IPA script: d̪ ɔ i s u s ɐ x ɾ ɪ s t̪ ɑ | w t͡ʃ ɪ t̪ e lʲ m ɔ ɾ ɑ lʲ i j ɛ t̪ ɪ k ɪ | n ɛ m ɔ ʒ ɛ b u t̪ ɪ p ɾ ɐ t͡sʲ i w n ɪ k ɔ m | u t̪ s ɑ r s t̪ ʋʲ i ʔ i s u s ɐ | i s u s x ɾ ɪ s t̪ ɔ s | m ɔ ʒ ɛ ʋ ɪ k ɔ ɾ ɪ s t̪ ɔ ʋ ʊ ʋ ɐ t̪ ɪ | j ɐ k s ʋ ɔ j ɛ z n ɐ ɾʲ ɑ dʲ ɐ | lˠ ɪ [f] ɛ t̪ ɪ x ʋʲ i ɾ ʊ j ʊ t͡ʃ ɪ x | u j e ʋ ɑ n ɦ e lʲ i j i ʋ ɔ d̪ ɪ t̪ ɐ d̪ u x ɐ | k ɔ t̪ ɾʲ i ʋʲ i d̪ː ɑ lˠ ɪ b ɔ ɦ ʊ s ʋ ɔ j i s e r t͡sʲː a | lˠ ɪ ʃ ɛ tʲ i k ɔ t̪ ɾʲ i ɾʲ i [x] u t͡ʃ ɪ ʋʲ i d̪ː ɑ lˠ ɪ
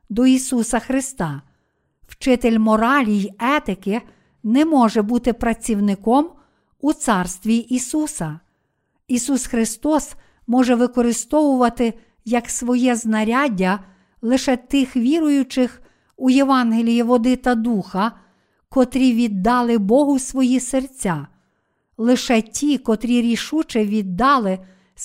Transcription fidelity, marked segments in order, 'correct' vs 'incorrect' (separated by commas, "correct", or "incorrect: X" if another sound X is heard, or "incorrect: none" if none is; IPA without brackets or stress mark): incorrect: ʃ, incorrect: ʃ